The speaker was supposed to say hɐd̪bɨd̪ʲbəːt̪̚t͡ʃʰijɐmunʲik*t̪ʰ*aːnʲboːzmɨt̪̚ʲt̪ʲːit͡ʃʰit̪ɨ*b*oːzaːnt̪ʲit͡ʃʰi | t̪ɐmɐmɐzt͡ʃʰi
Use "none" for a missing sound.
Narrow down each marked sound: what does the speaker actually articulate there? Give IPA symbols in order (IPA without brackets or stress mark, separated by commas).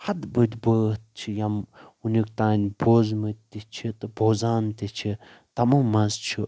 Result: t̪, b